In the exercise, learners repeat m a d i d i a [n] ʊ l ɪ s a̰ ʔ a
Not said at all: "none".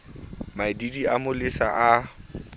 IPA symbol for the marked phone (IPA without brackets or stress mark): m